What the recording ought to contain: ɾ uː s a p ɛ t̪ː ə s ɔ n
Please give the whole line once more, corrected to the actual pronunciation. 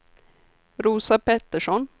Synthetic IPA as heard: ɾ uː s a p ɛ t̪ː ə ʂ ɔ n